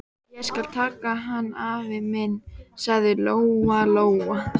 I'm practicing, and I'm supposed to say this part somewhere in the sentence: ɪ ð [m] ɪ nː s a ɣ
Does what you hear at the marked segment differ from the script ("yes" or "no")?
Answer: no